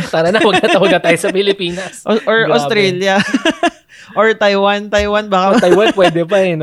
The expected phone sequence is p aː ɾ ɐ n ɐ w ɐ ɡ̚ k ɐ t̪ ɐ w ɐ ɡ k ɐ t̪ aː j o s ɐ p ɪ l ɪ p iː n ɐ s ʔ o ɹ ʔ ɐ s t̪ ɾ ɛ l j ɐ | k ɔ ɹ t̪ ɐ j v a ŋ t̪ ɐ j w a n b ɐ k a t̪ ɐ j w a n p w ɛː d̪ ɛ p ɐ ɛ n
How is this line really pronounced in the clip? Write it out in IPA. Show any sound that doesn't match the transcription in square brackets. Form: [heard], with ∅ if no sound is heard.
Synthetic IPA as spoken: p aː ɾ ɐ n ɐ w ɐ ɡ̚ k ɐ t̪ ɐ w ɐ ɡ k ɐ t̪ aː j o s ɐ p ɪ l ɪ p iː n ɐ s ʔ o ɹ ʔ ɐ s t̪ ɾ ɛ l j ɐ | [ʔ] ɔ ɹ t̪ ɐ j [w] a [n] t̪ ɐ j w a n b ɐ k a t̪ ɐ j w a n p w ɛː d̪ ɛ p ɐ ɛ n